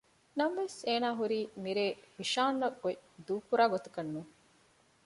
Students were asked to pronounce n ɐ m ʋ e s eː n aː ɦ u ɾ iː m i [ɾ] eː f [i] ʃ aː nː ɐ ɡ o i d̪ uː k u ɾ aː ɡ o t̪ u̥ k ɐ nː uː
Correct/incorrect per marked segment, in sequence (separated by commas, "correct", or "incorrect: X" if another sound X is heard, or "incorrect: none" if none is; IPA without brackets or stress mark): correct, correct